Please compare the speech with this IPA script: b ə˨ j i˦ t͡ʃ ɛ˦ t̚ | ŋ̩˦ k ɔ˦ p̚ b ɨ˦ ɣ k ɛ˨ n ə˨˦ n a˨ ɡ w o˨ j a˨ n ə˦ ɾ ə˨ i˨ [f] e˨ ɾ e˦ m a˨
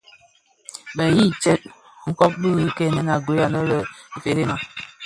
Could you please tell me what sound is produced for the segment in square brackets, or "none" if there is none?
f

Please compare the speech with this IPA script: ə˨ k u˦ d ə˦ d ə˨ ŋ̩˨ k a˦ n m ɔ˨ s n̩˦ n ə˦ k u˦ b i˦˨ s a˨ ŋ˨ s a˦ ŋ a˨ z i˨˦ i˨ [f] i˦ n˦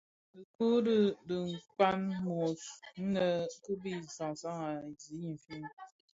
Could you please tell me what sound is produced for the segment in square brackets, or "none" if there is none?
f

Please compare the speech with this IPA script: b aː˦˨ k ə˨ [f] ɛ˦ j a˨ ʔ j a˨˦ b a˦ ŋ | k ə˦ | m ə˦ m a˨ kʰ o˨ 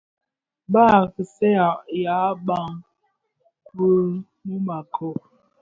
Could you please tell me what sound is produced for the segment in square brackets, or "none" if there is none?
s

